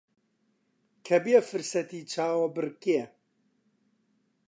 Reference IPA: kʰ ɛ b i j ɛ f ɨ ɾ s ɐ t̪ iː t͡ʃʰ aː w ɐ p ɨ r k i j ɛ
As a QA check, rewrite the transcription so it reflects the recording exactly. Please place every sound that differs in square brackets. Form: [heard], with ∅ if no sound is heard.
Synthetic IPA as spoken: kʰ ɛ b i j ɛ f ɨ ɾ s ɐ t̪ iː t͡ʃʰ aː w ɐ [b] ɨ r k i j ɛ